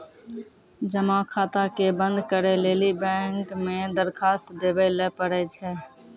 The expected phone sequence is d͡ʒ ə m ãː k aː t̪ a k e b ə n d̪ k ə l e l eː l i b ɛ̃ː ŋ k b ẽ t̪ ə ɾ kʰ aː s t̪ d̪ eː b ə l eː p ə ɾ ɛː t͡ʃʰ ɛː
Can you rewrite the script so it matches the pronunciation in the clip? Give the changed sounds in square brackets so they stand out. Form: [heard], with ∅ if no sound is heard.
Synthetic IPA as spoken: d͡ʒ ə m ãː [kʰ] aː t̪ a k e b ə n d̪ k ə [ɾ] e l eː l i b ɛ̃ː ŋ k [m] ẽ [d̪] ə ɾ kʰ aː s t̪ d̪ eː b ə l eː p ə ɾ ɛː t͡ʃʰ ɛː